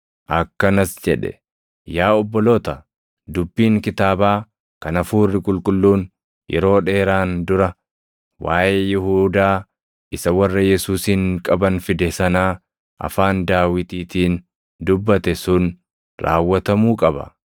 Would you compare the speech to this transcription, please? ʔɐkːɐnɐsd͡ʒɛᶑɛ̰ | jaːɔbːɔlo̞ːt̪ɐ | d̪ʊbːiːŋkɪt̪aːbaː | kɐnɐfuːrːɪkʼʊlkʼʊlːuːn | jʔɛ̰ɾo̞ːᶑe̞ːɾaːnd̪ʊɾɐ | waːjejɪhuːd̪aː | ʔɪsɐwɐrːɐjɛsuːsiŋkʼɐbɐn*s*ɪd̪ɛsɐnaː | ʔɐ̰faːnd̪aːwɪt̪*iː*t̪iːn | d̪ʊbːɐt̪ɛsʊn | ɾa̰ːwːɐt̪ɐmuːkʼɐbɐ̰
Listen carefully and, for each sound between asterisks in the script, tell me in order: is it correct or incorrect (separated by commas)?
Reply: incorrect, correct